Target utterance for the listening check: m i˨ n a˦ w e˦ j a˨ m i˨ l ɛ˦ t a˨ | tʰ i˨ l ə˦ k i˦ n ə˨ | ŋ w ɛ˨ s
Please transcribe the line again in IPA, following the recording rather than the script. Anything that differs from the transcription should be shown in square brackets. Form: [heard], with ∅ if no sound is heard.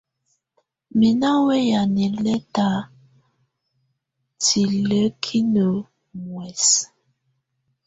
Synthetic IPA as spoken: m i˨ n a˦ w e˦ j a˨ [n] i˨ l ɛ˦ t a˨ | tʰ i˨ l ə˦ [kʰ] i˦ n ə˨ | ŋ w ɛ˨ s